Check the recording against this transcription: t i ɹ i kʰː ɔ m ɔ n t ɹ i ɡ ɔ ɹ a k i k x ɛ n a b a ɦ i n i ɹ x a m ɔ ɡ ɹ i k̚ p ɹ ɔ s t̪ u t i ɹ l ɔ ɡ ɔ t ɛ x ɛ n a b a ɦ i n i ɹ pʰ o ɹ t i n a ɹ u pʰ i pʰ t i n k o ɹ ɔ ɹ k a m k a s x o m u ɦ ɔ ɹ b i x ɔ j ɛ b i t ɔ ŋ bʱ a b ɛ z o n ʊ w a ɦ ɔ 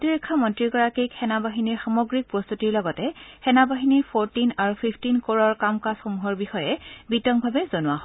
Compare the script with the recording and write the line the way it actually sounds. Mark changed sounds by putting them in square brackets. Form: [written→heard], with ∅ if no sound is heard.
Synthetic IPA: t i ɹ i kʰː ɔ m ɔ n t ɹ i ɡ ɔ ɹ a k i k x ɛ n a b a ɦ i n i ɹ x a m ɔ ɡ ɹ i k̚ p ɹ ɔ s t̪ u t i ɹ l ɔ ɡ ɔ t ɛ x ɛ n a b a ɦ i n i ɹ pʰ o ɹ t i n a ɹ u pʰ i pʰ t i n k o ɹ ɔ ɹ k a m k a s x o m u ɦ ɔ ɹ b i x ɔ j ɛ b i t ɔ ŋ bʱ a b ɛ z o n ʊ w a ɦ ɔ